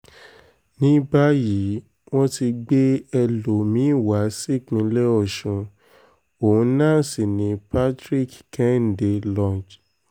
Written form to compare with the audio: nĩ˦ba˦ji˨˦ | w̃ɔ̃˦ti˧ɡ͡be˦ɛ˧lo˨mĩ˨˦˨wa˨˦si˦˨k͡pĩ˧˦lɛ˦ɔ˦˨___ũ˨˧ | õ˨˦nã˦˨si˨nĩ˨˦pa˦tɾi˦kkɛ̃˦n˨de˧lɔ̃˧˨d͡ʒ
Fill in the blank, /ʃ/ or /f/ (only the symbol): ʃ